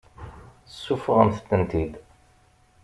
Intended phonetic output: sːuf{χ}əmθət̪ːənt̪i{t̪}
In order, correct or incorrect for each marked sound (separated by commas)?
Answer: incorrect, incorrect